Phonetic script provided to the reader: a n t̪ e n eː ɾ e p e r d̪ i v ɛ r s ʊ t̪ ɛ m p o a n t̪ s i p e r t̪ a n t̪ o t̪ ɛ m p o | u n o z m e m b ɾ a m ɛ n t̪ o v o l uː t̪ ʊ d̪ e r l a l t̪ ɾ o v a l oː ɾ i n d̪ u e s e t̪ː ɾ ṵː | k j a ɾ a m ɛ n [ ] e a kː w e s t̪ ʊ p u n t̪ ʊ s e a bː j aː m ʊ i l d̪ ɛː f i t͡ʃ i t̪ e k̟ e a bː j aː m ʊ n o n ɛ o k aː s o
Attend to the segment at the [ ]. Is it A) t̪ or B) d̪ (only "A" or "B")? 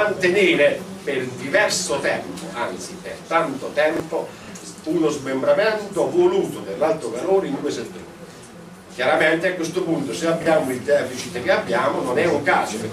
A